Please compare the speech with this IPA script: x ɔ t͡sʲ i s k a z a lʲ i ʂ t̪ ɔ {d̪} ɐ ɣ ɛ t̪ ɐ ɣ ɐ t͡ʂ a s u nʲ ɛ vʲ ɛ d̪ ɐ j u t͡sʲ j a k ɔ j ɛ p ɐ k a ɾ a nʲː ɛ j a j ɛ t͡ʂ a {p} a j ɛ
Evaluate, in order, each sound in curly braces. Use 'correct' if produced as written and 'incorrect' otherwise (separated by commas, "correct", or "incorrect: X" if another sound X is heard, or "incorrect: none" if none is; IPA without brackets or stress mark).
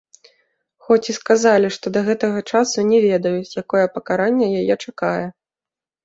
correct, incorrect: k